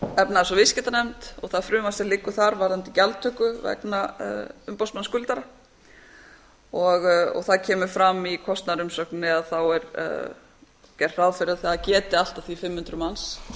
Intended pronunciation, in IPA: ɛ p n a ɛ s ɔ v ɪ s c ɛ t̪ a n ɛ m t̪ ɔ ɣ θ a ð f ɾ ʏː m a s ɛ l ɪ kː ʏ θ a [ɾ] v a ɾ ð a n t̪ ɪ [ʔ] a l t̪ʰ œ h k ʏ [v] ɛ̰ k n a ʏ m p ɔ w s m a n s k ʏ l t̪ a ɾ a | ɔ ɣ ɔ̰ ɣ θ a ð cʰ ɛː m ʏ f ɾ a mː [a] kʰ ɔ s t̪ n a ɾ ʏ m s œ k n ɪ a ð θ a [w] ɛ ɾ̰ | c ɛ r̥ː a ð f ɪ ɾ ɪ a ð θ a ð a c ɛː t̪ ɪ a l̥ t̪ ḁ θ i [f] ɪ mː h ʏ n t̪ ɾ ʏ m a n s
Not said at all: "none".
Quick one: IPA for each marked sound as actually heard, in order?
ɾ, c, v, i, w, f

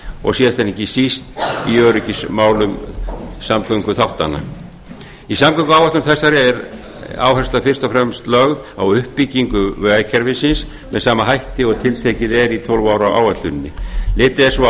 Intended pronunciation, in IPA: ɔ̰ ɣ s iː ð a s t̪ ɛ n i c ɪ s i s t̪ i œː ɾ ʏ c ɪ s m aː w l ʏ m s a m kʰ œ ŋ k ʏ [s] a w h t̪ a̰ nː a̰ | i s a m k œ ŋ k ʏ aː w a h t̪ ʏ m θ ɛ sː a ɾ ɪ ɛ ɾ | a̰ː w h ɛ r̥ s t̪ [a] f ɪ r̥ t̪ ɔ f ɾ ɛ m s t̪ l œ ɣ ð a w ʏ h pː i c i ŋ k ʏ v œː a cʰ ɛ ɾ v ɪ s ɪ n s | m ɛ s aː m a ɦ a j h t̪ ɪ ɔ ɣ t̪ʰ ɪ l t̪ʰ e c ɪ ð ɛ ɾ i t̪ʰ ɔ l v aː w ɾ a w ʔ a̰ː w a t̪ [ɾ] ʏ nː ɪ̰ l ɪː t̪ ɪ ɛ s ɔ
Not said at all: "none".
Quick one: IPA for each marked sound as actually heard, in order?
θ, a, l

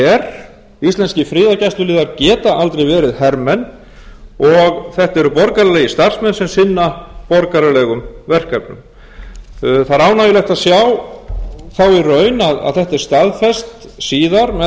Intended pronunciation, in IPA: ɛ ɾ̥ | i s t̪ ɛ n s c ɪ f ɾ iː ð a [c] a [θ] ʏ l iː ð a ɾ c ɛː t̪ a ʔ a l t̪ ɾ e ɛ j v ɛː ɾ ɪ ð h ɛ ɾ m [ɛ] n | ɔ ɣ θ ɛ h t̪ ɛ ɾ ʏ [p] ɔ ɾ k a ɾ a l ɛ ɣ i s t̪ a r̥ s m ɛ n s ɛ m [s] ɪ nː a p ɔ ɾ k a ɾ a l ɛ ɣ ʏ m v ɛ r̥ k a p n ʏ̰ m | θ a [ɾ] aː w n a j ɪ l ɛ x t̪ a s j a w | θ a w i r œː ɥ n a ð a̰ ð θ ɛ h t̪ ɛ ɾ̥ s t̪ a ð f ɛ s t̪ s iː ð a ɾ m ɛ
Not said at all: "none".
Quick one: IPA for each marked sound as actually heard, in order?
c, s, ɛ, p, s, ɾ

